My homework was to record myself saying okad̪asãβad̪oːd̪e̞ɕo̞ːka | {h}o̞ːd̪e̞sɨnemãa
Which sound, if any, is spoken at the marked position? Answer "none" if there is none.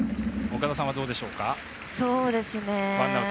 s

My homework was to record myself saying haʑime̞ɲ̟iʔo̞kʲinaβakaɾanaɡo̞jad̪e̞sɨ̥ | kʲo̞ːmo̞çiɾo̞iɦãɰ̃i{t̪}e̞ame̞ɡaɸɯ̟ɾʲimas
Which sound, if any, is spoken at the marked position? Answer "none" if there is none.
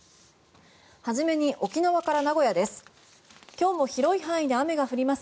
d̪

